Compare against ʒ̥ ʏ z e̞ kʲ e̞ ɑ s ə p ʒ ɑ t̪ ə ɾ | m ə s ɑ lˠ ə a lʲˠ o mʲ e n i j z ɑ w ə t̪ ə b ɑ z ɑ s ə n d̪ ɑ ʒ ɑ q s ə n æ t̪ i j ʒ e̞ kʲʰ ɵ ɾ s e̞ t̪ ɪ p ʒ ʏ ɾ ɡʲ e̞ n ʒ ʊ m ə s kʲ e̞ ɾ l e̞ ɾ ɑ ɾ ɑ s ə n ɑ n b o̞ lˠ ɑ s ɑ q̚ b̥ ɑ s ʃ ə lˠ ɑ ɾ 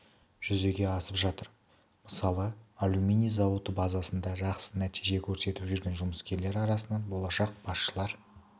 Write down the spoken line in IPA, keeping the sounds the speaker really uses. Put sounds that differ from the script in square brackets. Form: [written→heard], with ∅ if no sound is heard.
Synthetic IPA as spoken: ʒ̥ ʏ z e̞ [kʲ→ɡʲ] e̞ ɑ s ə p ʒ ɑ t̪ ə ɾ | m ə s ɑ lˠ ə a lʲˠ [o→u] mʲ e n i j z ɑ w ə t̪ ə b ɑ z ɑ s ə n d̪ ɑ ʒ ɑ q s ə n æ t̪ i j ʒ e̞ kʲʰ ɵ ɾ s e̞ t̪ ɪ p ʒ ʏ ɾ ɡʲ e̞ n ʒ ʊ m ə s kʲ e̞ ɾ l e̞ ɾ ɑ ɾ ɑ s ə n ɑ n b o̞ lˠ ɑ [s→ʃ] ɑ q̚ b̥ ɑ s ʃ ə lˠ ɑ ɾ

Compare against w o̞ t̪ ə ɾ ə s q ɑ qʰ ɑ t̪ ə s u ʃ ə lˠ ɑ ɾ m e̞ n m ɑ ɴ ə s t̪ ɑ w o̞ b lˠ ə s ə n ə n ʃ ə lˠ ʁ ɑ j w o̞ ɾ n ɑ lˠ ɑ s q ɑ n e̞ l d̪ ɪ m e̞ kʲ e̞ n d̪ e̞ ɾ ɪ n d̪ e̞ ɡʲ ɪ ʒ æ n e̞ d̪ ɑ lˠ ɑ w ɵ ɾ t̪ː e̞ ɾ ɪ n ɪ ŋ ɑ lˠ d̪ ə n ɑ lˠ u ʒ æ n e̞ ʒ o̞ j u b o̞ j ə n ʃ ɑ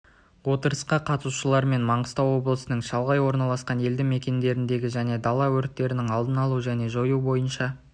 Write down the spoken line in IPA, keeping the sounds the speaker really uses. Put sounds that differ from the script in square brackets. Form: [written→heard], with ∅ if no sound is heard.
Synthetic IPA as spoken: w o̞ t̪ ə ɾ ə s q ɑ qʰ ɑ t̪ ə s u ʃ ə lˠ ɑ ɾ m e̞ n m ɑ ɴ ə s t̪ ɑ w o̞ b lˠ ə s ə n ə [n→ɴ] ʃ [ə→ɑ] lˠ ʁ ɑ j w o̞ ɾ n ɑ lˠ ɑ s q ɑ n e̞ l d̪ ɪ m e̞ kʲ e̞ n d̪ e̞ ɾ ɪ n d̪ e̞ ɡʲ ɪ ʒ æ n e̞ d̪ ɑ lˠ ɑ w ɵ ɾ t̪ː e̞ ɾ ɪ n ɪ ŋ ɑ lˠ d̪ ə n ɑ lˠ u ʒ æ n e̞ ʒ o̞ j u b o̞ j ə n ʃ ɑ

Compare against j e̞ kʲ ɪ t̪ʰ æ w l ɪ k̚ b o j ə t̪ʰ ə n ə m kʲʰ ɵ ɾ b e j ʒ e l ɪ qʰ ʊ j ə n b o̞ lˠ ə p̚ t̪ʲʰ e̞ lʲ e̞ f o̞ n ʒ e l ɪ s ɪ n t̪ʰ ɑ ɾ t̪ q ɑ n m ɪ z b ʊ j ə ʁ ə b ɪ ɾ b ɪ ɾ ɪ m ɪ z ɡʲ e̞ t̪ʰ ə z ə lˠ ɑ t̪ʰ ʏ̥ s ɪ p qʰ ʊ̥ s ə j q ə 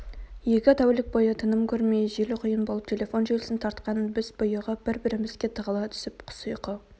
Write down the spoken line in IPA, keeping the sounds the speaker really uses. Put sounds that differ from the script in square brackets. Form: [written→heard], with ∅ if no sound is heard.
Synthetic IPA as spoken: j e̞ kʲ ɪ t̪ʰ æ w l ɪ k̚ b o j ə t̪ʰ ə n ə m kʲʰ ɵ ɾ [b→m] e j ʒ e l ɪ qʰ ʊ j ə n b o̞ lˠ ə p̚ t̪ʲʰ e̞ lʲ e̞ f o̞ n ʒ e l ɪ s ɪ n t̪ʰ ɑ ɾ t̪ q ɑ n [m→b] ɪ z b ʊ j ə ʁ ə b ɪ ɾ b ɪ ɾ ɪ m ɪ z ɡʲ e̞ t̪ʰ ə [z→ʁ] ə lˠ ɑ t̪ʰ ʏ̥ s ɪ p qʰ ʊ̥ s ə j q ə

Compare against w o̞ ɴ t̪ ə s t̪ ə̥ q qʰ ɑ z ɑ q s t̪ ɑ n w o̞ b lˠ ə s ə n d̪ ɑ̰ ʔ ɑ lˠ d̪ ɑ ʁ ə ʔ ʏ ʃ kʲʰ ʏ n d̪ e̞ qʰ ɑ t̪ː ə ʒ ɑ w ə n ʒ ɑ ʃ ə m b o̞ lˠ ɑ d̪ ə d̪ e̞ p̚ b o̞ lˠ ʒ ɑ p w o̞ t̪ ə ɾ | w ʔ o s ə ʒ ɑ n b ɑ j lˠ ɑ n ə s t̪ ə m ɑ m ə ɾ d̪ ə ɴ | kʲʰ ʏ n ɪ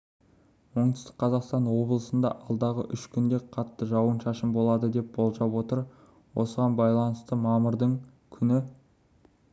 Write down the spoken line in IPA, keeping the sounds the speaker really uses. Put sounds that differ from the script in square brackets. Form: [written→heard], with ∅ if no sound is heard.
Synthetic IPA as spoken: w o̞ ɴ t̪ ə s t̪ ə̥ q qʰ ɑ z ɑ q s t̪ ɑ n w o̞ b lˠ ə s ə n d̪ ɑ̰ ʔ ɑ lˠ d̪ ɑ ʁ ə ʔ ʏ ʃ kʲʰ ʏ n d̪ e̞ qʰ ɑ t̪ː ə ʒ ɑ w ə n [ʒ→ʃ] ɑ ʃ ə m b o̞ lˠ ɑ d̪ ə d̪ e̞ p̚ b o̞ lˠ ʒ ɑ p w o̞ t̪ ə ɾ | w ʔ o s ə [ʒ→ʁ] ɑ n b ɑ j lˠ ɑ n ə s t̪ ə m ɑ m ə ɾ d̪ ə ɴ | kʲʰ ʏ n ɪ

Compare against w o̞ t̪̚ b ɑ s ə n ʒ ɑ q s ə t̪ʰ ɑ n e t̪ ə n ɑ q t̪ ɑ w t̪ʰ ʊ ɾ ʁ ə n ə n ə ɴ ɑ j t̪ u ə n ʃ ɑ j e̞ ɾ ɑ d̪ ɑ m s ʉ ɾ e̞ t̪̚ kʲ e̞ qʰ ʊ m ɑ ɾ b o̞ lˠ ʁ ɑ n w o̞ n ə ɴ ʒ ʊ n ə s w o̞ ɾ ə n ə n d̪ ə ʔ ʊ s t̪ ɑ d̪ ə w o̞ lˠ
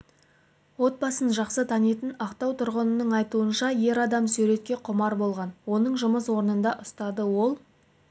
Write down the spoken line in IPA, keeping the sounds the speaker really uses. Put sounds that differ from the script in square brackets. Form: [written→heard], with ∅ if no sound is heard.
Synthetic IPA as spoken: w o̞ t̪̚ b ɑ s ə n ʒ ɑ q s ə t̪ʰ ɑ n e t̪ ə n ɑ q t̪ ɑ w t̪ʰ ʊ ɾ ʁ ə n ə n ə ɴ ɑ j t̪ u ə n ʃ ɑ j e̞ ɾ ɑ d̪ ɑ m s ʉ ɾ e̞ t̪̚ kʲ e̞ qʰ ʊ m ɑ ɾ b o̞ lˠ ʁ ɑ n w o̞ n ə ɴ ʒ ʊ [n→m] ə s w o̞ ɾ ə n ə n d̪ [ə→ɑ] ʔ ʊ s t̪ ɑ d̪ ə w o̞ lˠ

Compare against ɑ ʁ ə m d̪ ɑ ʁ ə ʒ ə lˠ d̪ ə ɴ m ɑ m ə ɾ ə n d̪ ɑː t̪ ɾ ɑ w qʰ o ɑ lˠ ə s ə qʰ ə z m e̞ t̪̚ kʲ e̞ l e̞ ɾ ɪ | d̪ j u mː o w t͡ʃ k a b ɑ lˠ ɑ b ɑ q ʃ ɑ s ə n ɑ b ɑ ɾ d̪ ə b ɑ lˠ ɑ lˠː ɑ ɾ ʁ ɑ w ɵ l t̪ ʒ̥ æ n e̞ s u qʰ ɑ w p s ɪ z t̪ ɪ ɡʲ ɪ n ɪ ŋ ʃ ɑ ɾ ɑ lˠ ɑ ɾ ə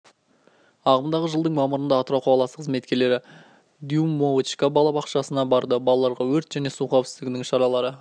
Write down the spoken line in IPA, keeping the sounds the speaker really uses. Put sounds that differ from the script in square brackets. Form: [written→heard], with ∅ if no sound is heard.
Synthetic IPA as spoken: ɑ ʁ ə m d̪ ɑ ʁ ə ʒ ə lˠ d̪ ə ɴ m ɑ m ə ɾ ə n d̪ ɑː t̪ ɾ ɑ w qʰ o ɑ lˠ [ə→ɑ] s ə qʰ ə z m e̞ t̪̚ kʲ e̞ l e̞ ɾ ɪ | d̪ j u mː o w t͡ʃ k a b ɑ lˠ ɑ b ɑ q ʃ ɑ s ə n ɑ b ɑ ɾ d̪ ə b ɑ lˠ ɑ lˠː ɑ ɾ ʁ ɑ w ɵ [l→ɾ] t̪ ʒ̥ æ n e̞ s u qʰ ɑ w p s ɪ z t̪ ɪ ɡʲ ɪ n ɪ ŋ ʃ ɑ ɾ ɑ lˠ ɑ ɾ ə

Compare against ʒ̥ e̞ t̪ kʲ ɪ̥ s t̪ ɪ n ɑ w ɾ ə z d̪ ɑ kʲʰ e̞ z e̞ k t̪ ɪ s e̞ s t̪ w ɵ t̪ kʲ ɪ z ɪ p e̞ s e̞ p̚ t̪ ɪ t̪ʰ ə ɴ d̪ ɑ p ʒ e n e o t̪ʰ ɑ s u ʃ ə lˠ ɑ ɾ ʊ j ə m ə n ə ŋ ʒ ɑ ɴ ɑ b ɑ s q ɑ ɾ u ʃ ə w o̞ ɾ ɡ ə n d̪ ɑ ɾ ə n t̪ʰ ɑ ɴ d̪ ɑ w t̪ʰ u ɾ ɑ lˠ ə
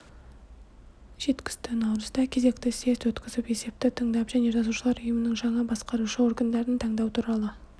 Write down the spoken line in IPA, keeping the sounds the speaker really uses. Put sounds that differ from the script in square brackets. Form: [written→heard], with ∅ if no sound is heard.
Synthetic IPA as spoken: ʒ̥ e̞ t̪ kʲ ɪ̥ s t̪ ɪ n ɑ w ɾ ə z d̪ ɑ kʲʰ e̞ z e̞ k t̪ ɪ s e̞ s t̪ w ɵ t̪ kʲ ɪ z ɪ p e̞ s e̞ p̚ t̪ ɪ t̪ʰ ə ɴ d̪ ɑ p ʒ [e→æ] n e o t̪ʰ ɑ s u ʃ ə lˠ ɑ ɾ ʊ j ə m ə n ə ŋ ʒ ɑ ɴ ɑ b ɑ s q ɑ ɾ u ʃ ə w o̞ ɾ ɡ ə n d̪ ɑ ɾ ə n t̪ʰ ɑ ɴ d̪ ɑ w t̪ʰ u ɾ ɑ lˠ ə

